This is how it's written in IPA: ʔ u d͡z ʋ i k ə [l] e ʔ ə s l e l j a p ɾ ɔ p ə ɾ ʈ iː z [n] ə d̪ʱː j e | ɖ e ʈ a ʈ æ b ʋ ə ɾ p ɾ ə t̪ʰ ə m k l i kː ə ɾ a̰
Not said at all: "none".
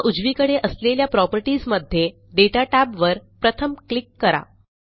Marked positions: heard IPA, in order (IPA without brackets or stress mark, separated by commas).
ɽ, m